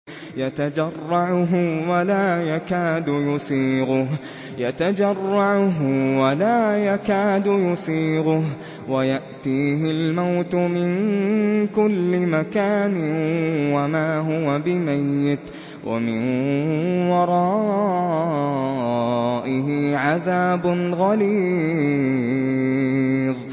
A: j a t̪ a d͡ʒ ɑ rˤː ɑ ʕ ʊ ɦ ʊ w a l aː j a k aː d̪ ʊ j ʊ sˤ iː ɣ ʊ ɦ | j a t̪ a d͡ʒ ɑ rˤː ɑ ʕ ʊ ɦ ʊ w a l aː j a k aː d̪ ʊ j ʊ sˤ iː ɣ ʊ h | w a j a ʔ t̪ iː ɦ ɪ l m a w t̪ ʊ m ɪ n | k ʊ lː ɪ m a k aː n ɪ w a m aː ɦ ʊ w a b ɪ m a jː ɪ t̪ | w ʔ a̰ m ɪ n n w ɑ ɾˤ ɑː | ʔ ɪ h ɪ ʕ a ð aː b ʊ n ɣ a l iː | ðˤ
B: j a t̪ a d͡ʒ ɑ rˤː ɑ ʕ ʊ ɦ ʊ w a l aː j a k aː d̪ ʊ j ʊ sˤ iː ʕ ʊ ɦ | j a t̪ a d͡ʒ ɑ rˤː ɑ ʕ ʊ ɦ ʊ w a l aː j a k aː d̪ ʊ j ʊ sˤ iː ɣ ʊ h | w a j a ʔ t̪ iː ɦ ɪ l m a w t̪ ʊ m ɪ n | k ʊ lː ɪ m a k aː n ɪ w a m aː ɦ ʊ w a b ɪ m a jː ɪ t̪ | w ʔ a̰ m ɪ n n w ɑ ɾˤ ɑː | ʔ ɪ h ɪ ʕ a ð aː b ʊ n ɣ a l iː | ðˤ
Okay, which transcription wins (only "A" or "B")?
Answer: A